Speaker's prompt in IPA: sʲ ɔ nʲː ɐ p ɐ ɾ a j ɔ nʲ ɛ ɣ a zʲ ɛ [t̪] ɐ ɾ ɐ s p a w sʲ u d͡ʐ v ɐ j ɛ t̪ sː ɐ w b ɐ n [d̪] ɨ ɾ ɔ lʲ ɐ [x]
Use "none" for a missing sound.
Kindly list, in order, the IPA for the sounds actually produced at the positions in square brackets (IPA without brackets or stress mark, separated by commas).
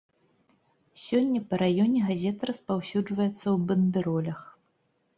t̪, d̪, x